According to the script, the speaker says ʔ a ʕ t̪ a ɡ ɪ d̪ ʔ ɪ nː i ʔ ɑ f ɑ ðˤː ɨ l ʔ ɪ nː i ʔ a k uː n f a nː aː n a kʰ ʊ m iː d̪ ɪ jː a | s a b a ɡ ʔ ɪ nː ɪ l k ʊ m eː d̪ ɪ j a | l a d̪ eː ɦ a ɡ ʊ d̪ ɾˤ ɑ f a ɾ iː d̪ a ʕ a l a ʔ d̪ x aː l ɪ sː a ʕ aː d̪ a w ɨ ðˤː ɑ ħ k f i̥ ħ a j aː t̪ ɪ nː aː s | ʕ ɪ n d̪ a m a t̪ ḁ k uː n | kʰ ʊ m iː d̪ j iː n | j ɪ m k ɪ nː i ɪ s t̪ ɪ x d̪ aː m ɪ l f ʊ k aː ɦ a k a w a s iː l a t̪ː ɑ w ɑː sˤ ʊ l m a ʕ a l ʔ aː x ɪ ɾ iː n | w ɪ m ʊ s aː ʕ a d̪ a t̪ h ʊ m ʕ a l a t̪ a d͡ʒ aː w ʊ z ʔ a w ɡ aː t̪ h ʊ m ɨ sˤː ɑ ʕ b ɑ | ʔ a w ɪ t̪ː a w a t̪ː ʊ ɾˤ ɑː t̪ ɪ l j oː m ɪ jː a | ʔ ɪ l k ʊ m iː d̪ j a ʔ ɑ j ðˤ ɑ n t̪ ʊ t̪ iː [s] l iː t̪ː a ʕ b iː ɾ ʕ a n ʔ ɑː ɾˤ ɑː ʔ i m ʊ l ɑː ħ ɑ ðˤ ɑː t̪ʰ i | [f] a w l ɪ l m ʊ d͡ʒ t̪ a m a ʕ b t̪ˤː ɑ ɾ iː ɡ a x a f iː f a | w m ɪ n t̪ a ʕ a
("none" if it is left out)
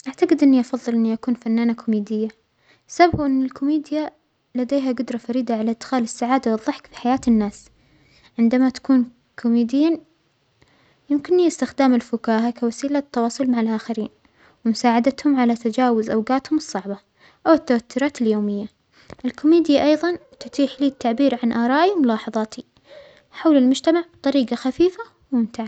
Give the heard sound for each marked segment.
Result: ħ, ħ

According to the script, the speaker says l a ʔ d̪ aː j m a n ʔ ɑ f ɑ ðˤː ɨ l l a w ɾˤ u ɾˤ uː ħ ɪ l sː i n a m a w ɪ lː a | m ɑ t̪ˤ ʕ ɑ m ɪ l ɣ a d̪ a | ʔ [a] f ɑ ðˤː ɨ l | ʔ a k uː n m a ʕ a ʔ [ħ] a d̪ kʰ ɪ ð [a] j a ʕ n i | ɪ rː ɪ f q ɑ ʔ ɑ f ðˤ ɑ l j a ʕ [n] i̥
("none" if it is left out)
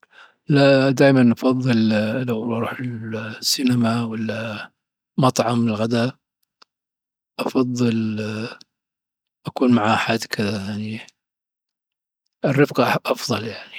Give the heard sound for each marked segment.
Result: ɑ, ħ, a, n

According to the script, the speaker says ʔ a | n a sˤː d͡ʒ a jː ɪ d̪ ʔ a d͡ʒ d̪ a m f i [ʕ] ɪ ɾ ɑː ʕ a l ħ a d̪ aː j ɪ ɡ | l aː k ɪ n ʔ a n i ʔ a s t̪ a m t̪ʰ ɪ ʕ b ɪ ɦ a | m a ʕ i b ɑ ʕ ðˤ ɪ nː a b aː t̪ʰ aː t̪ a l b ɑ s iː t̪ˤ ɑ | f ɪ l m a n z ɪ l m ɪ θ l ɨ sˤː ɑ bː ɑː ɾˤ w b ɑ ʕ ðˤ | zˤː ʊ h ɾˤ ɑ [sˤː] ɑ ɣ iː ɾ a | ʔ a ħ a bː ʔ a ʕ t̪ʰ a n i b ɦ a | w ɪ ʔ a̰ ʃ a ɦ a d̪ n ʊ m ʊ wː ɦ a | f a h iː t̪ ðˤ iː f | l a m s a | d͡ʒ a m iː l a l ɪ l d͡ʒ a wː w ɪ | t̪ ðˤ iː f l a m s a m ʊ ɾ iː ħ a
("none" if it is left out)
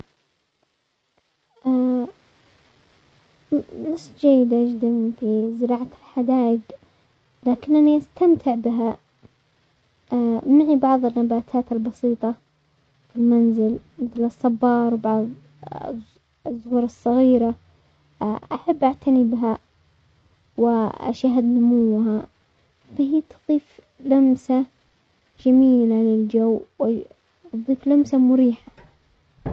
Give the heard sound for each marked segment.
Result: z, sˤː

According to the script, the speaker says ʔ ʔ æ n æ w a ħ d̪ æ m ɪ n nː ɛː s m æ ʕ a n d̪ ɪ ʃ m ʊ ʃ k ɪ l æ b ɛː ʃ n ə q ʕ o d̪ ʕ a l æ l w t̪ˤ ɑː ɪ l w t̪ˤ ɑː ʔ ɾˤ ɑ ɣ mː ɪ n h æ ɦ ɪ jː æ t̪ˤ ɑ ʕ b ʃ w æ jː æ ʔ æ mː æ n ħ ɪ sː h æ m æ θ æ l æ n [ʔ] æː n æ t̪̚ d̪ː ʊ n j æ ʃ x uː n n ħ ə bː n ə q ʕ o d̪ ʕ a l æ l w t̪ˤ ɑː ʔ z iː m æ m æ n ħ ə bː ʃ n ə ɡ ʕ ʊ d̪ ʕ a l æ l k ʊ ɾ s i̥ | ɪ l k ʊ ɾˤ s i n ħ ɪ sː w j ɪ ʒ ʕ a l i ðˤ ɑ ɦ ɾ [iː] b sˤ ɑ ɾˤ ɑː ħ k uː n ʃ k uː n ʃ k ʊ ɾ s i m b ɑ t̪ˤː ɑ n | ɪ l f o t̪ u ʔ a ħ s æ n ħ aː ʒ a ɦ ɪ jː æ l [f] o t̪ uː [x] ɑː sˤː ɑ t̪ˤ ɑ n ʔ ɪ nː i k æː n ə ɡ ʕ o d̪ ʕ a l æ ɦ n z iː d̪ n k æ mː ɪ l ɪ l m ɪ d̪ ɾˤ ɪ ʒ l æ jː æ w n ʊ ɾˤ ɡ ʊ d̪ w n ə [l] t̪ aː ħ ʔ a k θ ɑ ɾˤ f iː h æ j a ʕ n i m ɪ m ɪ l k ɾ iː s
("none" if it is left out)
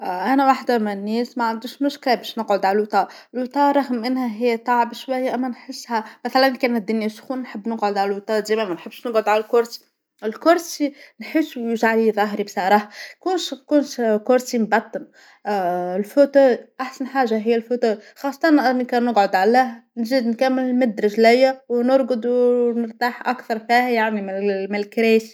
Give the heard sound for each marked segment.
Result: k, i, f, x, ɾ

